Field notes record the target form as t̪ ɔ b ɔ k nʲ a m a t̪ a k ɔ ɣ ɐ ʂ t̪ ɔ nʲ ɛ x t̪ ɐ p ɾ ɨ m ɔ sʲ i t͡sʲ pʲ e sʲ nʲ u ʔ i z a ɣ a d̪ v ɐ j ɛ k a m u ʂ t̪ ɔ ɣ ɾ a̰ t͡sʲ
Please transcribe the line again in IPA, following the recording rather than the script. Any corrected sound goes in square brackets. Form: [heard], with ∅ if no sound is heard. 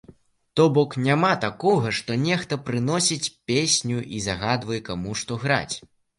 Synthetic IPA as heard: t̪ ɔ b ɔ k nʲ a m a t̪ a k ɔ ɣ ɐ ʂ t̪ ɔ nʲ ɛ x t̪ ɐ p ɾ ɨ [n] ɔ sʲ i t͡sʲ pʲ e sʲ nʲ u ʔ i z a ɣ a d̪ v ɐ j ɛ k a m u ʂ t̪ ɔ ɣ ɾ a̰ t͡sʲ

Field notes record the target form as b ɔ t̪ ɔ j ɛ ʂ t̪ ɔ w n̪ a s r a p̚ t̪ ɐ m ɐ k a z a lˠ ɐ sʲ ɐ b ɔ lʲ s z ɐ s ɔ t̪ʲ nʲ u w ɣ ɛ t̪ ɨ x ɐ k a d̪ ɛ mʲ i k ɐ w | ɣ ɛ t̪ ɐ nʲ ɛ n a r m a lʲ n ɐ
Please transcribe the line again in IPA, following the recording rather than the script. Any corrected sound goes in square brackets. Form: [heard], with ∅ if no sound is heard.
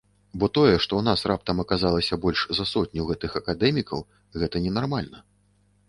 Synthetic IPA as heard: b ɔ t̪ ɔ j ɛ ʂ t̪ ɔ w n̪ a s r a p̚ t̪ ɐ m ɐ k a z a lˠ ɐ sʲ ɐ b ɔ lʲ [ʂ] z ɐ s ɔ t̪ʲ nʲ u w ɣ ɛ t̪ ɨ x ɐ k a d̪ ɛ mʲ i k ɐ w | ɣ ɛ t̪ ɐ nʲ ɛ n a r m a lʲ n ɐ

